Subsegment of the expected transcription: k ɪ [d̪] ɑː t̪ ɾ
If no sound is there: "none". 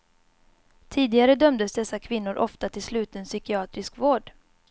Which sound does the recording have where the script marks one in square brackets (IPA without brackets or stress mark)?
none